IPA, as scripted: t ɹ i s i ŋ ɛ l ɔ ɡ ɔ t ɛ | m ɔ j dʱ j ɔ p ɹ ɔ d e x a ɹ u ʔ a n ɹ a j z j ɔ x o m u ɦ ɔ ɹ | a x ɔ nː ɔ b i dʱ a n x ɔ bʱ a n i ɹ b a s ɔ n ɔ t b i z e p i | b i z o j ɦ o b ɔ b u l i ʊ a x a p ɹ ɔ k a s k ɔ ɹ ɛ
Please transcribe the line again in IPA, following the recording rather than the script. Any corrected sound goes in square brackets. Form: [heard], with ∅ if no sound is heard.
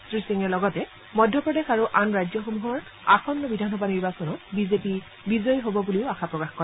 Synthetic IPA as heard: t ɹ i s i ŋ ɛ l ɔ ɡ ɔ t ɛ | m ɔ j dʱ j ɔ p ɹ ɔ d e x a ɹ u ʔ a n ɹ a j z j ɔ x o m u ɦ ɔ ɹ | a x ɔ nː ɔ b i dʱ a n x ɔ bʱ a n i ɹ b a s ɔ n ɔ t b i z e p i | b i z [ɔ] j ɦ o b ɔ b u l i ʊ a x a p ɹ ɔ k a [x] k ɔ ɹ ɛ